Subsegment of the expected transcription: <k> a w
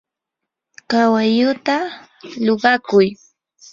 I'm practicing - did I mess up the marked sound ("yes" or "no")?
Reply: no